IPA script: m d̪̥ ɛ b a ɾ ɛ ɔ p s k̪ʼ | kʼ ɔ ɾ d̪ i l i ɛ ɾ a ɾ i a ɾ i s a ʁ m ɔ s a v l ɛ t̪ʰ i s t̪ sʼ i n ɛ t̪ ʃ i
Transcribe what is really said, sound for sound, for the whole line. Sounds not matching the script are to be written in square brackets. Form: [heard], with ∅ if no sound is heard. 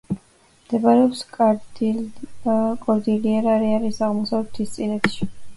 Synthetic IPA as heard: m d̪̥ ɛ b a ɾ ɛ ɔ p s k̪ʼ | kʼ ɔ ɾ d̪ i l i ɛ ɾ a ɾ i a ɾ i s a ʁ m ɔ s a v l ɛ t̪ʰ i s t̪ sʼ i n ɛ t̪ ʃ i